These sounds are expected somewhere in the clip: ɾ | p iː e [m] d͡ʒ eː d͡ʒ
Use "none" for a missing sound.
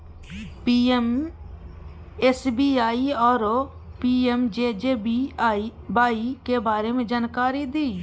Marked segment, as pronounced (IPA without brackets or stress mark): m